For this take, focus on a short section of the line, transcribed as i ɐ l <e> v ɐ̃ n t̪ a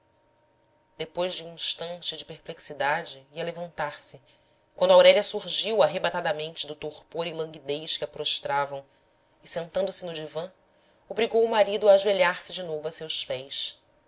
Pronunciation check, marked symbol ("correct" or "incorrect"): correct